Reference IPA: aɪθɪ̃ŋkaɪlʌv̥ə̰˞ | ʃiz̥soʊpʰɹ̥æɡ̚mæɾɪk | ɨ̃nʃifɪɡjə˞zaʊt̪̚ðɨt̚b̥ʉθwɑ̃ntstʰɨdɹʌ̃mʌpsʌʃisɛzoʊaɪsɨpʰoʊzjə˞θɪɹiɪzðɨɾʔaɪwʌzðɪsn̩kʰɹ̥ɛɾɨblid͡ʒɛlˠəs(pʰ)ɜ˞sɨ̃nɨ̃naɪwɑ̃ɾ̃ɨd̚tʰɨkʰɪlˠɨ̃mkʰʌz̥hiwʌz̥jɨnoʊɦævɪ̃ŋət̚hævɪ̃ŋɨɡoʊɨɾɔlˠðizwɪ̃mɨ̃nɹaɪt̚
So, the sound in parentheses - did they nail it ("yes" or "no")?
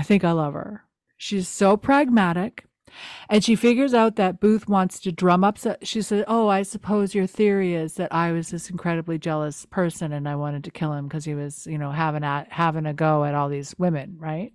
yes